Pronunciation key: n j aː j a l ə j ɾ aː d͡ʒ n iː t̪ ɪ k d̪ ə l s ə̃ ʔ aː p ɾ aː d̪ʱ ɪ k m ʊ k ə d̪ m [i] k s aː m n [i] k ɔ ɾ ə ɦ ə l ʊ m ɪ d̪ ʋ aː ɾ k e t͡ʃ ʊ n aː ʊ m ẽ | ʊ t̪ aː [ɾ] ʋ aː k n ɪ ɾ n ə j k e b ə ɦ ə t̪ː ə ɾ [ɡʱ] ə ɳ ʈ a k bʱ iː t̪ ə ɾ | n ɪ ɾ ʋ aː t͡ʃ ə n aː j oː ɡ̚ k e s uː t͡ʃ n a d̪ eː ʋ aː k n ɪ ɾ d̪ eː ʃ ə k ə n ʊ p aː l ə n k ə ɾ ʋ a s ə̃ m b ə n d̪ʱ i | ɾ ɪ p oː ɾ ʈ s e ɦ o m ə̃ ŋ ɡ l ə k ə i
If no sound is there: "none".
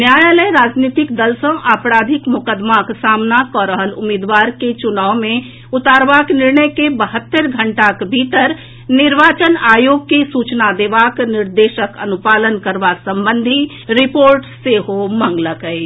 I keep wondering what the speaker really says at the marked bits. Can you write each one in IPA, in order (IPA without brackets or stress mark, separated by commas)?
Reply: a, a, ɾ, ɡʱ